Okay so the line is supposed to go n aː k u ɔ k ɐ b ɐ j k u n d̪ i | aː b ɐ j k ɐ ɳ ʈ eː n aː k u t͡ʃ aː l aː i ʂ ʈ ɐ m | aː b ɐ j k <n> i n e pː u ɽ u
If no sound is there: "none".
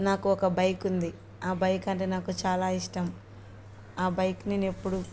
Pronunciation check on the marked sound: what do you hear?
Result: n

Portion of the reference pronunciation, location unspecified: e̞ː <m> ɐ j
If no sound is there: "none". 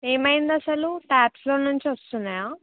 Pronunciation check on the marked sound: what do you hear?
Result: m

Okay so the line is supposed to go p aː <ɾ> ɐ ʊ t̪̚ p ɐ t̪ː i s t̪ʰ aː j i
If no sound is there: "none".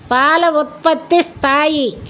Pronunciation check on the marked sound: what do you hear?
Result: l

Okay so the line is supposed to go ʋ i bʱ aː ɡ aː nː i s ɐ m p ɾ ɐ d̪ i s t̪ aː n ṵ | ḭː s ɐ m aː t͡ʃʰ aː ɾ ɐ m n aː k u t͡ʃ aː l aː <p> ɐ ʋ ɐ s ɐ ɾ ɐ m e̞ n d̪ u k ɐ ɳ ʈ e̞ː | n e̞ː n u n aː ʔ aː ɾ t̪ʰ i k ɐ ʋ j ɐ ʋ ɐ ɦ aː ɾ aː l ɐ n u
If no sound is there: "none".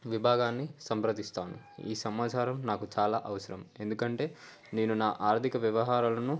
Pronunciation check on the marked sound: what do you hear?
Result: ʔ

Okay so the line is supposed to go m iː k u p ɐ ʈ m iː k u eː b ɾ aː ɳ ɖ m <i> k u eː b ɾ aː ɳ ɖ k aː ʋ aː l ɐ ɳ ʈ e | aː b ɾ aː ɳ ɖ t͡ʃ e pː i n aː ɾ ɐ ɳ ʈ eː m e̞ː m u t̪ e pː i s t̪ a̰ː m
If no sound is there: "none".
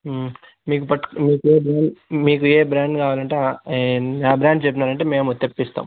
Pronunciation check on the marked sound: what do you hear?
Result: iː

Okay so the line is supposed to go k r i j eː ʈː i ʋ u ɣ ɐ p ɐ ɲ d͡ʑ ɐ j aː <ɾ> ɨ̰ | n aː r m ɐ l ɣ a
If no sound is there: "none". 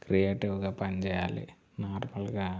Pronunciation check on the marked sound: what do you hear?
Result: l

